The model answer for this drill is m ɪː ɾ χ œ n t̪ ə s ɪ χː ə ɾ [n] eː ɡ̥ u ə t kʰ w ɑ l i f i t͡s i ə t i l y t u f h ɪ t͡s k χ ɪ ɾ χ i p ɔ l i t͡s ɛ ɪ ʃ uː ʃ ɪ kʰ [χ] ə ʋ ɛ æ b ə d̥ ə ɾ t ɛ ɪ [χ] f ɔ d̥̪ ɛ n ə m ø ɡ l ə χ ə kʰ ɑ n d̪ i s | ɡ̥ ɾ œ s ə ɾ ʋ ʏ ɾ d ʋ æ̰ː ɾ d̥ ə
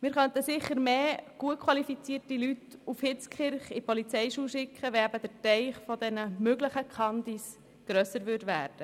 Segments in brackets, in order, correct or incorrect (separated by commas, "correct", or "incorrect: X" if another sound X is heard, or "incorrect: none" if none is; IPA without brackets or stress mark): incorrect: m, correct, correct